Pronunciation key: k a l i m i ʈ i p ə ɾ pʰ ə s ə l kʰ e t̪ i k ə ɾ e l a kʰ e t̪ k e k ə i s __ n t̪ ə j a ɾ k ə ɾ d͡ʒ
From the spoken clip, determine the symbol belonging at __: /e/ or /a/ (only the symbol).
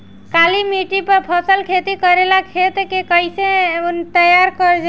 e